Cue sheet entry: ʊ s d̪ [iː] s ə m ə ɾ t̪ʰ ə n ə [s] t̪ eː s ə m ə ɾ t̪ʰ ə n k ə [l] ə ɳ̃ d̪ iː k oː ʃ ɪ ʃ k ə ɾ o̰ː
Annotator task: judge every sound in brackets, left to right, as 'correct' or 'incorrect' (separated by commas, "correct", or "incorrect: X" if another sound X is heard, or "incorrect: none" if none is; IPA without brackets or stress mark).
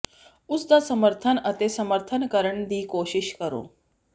incorrect: aː, incorrect: none, incorrect: ɾ